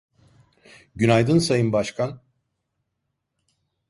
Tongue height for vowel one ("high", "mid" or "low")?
high